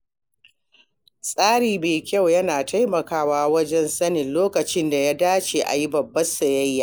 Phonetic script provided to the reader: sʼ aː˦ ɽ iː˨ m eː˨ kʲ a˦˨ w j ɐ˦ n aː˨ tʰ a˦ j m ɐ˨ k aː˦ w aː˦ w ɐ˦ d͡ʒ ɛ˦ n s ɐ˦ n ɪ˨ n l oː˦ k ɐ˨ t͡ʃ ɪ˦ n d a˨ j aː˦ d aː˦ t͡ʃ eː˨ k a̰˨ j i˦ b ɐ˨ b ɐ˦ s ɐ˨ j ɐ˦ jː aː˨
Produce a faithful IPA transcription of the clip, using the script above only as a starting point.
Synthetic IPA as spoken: sʼ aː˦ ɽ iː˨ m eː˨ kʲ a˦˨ w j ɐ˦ n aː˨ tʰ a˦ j m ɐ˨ k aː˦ w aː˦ w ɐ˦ d͡ʒ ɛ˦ n s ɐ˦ n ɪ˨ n l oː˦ k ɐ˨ t͡ʃ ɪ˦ n d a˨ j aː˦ d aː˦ t͡ʃ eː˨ ʔ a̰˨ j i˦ b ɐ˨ bː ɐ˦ s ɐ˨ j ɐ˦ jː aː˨